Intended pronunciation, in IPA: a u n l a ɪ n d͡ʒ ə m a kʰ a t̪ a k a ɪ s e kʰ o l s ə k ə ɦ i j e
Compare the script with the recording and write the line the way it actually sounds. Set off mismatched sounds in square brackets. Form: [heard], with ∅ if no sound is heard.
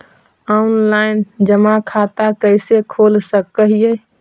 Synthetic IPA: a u n l a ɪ n d͡ʒ ə m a kʰ a t̪ a k [ə] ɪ s e kʰ o l s ə k ə ɦ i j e